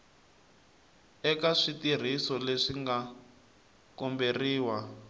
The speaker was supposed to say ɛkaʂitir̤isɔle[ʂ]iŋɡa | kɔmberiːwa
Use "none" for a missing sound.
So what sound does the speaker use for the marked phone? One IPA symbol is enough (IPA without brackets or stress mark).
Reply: ʂ